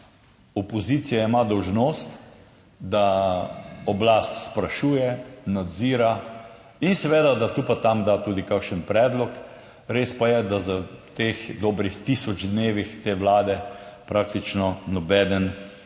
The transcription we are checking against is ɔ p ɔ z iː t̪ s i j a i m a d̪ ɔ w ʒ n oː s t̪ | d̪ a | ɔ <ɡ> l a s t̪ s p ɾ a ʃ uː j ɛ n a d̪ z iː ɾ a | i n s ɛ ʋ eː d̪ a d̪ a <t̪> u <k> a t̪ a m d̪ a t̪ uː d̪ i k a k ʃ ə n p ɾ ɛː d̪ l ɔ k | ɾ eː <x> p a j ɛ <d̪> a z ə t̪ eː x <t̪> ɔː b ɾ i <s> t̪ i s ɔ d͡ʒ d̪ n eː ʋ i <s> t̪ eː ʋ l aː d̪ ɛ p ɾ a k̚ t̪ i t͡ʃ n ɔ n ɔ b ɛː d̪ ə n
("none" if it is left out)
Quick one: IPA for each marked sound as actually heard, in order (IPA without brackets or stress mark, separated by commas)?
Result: b, t̪, p, s, d̪, d̪, x, x